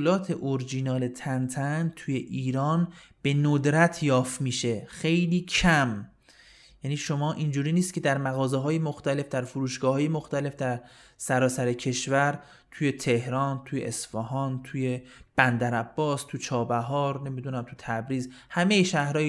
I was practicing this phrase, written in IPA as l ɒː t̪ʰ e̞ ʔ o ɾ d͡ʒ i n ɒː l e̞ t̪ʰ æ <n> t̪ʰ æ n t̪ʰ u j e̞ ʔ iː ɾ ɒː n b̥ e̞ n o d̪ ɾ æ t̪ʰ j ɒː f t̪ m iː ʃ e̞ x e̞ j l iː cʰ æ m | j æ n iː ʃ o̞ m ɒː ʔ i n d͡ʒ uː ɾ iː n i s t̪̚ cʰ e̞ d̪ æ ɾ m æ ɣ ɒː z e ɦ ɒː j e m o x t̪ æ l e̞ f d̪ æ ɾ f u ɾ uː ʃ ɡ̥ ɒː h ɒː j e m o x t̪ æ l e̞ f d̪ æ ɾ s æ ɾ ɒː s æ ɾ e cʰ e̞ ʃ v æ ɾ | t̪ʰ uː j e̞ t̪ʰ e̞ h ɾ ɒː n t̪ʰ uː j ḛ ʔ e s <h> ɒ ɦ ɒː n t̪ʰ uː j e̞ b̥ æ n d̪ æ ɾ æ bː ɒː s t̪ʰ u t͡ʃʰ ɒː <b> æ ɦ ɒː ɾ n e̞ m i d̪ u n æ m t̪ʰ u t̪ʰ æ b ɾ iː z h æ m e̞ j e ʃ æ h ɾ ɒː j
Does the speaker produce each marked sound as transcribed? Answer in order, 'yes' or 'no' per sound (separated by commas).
yes, no, yes